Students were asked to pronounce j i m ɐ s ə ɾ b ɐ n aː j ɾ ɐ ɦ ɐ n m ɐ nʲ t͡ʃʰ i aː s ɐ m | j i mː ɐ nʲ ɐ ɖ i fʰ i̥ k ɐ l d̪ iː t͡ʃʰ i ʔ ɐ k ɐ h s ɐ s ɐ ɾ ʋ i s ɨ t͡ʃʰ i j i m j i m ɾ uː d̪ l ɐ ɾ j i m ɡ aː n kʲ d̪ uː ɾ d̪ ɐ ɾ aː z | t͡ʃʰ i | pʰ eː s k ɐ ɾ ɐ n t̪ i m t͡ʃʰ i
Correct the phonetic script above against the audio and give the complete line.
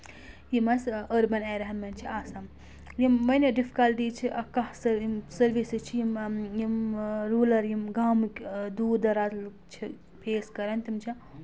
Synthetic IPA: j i m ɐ s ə ɾ b ɐ n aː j ɾ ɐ ɦ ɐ n m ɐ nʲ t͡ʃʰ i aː s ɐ m | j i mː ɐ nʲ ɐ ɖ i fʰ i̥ k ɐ l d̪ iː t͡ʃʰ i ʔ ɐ k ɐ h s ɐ s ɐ ɾ ʋ i s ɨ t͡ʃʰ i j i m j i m ɾ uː l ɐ ɾ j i m ɡ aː m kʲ d̪ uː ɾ d̪ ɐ ɾ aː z | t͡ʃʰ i | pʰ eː s k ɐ ɾ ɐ n t̪ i m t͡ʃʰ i